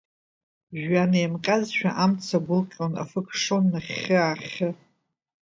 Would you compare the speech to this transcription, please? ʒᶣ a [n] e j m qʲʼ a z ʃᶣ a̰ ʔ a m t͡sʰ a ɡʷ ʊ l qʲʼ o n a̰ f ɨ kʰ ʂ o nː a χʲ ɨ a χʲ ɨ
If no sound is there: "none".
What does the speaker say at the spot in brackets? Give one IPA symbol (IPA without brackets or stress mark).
n